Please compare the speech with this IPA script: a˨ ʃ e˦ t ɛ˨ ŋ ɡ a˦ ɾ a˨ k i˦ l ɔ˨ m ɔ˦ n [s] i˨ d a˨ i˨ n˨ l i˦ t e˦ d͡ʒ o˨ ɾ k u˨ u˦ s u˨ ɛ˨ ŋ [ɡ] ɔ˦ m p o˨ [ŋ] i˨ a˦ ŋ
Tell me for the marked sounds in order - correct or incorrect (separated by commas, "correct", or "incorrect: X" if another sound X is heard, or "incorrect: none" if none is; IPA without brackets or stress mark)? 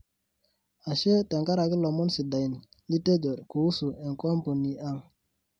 correct, incorrect: k, incorrect: n